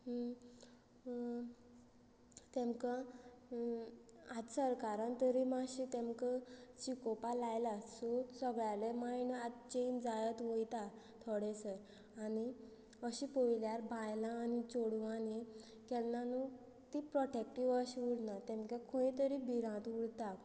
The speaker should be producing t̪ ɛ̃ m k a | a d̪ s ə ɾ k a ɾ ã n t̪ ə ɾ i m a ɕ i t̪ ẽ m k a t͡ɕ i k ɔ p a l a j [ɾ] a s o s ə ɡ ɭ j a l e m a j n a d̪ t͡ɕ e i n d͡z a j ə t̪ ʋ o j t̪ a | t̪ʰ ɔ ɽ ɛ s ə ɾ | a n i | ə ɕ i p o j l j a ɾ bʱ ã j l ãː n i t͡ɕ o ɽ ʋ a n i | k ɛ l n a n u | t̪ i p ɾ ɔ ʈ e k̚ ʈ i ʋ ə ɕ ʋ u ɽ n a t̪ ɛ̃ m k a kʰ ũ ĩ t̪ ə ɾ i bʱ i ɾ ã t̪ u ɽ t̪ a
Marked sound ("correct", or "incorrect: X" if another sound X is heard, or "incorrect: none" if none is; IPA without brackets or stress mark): incorrect: l